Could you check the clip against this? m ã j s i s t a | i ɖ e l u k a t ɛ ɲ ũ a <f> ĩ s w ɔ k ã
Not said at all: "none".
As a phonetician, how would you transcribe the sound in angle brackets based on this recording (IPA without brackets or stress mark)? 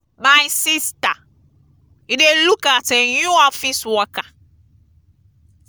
f